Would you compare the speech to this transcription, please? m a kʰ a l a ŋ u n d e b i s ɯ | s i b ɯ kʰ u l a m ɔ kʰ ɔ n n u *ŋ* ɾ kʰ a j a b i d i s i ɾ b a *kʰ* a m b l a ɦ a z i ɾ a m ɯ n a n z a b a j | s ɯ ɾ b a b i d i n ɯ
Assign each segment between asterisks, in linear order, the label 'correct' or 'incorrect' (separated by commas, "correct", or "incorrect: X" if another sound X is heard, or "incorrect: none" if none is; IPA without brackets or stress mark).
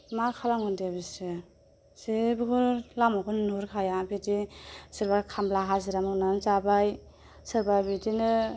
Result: incorrect: none, correct